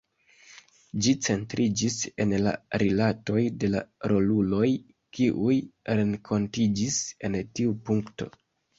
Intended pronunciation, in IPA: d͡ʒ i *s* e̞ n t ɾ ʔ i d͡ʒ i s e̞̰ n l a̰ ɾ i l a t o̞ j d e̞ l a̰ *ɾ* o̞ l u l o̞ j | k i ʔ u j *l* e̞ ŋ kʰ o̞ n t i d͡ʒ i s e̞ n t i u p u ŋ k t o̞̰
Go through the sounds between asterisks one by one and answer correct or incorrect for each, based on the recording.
incorrect, correct, incorrect

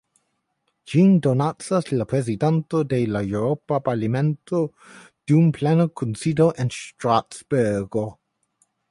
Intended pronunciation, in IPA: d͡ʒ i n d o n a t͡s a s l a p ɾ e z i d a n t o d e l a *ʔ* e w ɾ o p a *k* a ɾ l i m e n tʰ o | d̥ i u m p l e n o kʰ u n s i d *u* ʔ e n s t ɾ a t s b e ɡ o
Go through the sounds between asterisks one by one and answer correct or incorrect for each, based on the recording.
incorrect, incorrect, incorrect

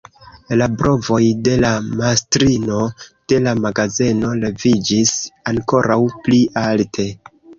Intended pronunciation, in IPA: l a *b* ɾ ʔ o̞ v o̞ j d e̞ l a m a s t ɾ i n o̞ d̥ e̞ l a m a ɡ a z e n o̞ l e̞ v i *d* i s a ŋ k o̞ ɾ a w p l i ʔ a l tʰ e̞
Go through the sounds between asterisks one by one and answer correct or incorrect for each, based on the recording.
correct, incorrect

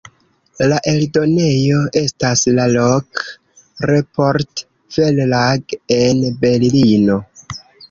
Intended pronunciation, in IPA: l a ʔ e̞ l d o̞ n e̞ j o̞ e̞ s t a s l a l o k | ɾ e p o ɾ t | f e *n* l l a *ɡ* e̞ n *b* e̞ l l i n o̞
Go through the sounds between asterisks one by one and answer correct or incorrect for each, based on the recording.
incorrect, correct, correct

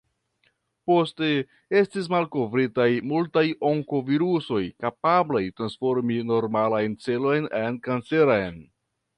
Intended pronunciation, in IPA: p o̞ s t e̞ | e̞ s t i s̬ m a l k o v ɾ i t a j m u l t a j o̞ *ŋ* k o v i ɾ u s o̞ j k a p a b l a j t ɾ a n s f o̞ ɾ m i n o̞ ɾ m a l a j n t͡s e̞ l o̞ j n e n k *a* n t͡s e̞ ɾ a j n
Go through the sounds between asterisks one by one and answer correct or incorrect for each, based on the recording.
correct, correct

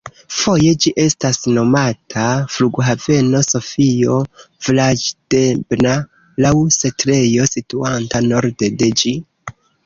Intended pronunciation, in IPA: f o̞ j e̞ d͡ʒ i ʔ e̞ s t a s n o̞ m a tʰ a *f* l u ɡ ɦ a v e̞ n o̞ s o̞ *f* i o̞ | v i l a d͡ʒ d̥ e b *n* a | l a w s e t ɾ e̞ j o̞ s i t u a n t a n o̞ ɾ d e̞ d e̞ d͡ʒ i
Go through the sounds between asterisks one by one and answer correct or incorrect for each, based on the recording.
correct, correct, correct

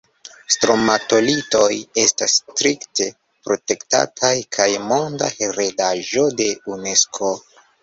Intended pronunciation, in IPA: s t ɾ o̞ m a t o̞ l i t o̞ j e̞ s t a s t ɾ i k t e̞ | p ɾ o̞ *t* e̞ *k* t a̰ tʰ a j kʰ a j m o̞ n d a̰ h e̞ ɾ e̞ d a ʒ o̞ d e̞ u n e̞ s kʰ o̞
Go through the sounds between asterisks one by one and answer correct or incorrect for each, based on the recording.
correct, correct

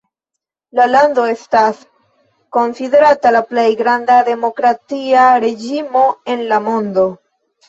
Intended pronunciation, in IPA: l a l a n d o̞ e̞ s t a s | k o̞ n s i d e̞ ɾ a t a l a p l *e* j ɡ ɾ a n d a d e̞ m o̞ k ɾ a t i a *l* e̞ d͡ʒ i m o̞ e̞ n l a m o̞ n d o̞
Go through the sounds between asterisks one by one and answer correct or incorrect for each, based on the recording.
correct, incorrect

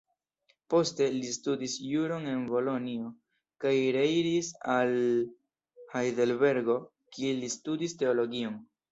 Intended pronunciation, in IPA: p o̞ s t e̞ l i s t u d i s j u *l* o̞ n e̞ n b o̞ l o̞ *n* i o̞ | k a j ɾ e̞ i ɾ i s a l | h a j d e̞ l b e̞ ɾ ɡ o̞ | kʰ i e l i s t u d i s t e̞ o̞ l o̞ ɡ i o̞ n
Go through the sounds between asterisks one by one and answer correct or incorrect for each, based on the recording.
incorrect, correct

